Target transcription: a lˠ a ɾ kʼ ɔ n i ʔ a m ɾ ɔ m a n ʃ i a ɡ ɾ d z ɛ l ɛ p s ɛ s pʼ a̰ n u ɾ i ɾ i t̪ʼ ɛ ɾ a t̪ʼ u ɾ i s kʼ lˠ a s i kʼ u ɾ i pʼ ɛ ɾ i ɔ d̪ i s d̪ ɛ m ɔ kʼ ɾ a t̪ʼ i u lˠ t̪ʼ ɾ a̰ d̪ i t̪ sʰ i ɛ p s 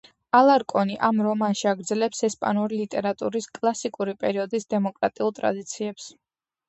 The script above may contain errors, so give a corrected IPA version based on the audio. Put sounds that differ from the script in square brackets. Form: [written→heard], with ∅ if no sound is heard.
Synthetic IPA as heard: a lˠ a ɾ kʼ ɔ n i ʔ a m ɾ ɔ m a n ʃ i a ɡ ɾ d z ɛ l ɛ p s ɛ s pʼ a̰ n u ɾ i [ɾ→l] i t̪ʼ ɛ ɾ a t̪ʼ u ɾ i s kʼ lˠ a s i kʼ u ɾ i pʼ ɛ ɾ i ɔ d̪ i s d̪ ɛ m ɔ kʼ ɾ a t̪ʼ i u lˠ t̪ʼ ɾ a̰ d̪ i t̪ sʰ i ɛ p s